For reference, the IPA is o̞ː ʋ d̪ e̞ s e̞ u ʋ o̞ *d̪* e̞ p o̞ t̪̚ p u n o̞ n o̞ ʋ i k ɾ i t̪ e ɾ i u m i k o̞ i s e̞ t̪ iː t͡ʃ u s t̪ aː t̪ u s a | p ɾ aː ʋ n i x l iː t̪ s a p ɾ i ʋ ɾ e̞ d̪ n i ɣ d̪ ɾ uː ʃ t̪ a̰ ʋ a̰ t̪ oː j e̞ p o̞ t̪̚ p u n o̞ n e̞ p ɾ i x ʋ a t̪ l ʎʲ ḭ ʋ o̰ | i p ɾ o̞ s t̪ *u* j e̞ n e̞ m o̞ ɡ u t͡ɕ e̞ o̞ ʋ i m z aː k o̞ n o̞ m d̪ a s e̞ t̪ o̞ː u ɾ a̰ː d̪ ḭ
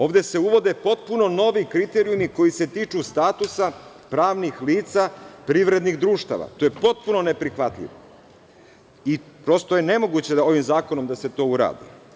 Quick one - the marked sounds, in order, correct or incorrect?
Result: correct, incorrect: o

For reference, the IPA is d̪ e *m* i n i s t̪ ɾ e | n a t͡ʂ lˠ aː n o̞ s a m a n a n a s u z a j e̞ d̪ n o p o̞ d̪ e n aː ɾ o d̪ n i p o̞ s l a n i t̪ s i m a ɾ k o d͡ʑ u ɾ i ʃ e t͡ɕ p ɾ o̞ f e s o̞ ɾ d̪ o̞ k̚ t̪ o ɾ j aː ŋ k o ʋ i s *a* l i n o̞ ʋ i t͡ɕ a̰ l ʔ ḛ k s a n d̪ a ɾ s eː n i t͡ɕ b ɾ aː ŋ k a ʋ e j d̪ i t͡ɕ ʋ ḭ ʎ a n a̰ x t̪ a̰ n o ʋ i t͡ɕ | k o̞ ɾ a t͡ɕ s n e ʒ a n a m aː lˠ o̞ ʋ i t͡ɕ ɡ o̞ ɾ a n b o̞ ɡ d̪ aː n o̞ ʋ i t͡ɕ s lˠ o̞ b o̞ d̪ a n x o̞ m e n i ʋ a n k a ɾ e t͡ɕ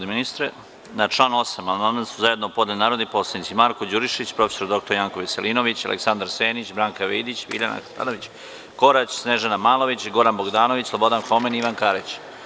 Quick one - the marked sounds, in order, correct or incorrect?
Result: correct, incorrect: e

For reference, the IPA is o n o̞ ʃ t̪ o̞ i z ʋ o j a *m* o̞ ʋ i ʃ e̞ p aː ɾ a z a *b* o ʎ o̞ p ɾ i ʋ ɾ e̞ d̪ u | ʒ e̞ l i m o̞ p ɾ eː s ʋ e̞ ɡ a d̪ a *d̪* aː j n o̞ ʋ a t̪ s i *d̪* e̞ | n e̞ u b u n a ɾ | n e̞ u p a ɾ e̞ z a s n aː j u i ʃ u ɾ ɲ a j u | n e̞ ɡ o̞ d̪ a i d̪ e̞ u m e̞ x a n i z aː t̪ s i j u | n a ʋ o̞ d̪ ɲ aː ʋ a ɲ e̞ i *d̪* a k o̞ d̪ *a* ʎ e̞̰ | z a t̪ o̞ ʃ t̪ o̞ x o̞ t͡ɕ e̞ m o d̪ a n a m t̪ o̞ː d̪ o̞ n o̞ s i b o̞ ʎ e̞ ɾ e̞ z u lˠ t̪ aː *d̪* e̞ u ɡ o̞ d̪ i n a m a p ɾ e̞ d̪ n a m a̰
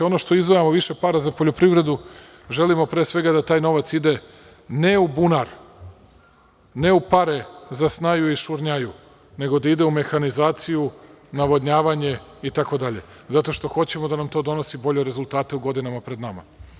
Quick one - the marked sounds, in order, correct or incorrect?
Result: correct, incorrect: p, incorrect: t̪, correct, incorrect: t̪, correct, incorrect: t̪

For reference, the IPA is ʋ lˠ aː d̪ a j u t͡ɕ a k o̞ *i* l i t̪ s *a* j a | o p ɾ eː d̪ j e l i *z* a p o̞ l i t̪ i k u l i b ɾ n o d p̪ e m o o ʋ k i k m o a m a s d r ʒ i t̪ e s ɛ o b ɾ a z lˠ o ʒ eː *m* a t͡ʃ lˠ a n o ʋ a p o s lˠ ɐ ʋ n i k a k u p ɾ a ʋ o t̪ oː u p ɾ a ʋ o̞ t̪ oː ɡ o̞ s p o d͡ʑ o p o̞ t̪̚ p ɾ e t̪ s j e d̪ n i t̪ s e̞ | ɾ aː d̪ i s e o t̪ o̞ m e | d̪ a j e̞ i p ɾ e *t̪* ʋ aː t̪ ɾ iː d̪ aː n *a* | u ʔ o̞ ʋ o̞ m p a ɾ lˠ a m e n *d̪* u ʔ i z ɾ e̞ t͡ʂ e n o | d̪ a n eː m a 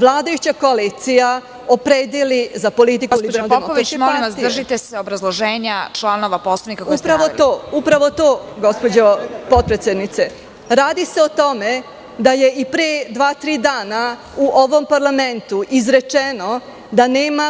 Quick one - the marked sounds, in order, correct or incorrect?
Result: incorrect: a, incorrect: i, correct, incorrect: ɲ, incorrect: d̪, correct, incorrect: t̪

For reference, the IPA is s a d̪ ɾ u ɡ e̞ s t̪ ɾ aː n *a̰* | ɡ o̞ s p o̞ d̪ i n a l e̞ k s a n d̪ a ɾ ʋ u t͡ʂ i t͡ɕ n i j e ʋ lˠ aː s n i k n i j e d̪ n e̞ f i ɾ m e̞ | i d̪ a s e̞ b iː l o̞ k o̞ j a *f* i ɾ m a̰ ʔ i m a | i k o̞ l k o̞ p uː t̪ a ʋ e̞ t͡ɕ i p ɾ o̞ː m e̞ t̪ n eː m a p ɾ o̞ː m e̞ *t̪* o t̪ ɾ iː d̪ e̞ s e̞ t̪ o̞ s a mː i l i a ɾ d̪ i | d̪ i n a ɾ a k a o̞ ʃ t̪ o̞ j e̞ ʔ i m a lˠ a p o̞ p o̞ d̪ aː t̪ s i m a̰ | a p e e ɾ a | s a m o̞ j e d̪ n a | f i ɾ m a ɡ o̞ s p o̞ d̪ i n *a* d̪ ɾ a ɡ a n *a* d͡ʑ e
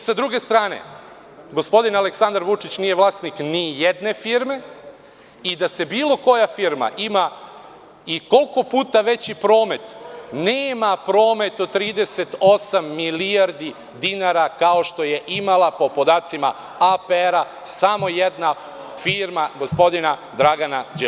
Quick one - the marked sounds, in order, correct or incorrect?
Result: incorrect: ḛ, correct, correct, correct, correct

